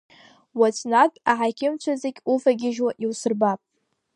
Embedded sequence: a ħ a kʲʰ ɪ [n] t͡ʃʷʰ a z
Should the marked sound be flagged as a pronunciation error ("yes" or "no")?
yes